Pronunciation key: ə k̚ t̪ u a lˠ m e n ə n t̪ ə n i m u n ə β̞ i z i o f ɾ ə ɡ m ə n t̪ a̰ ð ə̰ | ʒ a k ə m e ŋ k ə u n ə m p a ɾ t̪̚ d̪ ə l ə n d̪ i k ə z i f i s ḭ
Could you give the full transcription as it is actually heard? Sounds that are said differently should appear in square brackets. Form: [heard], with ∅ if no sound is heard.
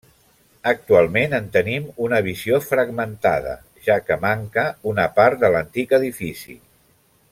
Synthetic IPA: ə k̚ t̪ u a lˠ m e n ə n t̪ ə n i m u n ə β̞ i z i o f ɾ ə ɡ m ə n t̪ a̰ ð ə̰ | ʒ a k ə m [a] ŋ k ə u n ə [∅] p a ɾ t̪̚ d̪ ə l ə n [t̪] i k ə [ð] i f i s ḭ